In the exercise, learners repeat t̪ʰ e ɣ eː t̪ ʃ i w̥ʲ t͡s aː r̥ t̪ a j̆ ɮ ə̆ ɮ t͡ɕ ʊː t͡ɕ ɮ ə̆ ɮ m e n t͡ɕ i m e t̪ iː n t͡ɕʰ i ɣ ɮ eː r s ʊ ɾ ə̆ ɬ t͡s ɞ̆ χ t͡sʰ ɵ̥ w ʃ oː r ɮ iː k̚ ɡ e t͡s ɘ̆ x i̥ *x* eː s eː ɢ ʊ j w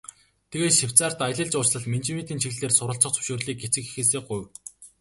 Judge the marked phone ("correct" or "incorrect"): correct